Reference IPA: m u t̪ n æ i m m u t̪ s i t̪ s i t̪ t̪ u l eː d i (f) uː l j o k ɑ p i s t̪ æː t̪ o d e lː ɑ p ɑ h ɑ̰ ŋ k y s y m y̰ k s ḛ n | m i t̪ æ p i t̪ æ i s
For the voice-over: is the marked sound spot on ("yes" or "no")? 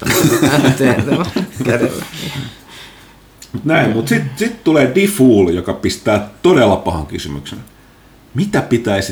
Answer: yes